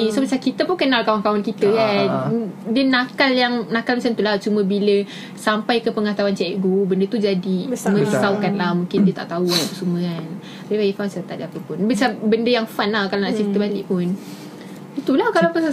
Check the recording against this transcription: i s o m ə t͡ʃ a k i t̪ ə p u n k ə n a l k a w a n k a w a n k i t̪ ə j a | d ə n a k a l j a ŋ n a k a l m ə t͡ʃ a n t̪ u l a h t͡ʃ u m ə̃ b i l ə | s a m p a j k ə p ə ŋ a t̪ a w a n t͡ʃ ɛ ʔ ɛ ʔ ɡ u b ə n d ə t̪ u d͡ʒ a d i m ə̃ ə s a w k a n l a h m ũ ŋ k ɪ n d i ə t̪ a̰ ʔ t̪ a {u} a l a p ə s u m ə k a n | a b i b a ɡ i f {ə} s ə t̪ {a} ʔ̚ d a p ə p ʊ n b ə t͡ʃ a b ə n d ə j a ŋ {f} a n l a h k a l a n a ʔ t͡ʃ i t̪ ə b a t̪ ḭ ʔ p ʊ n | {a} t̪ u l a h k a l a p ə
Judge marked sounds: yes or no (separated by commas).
yes, no, yes, yes, no